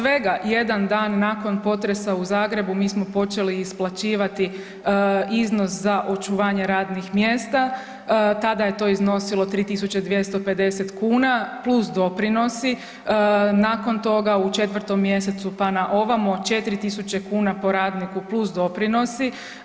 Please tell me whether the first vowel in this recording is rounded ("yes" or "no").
no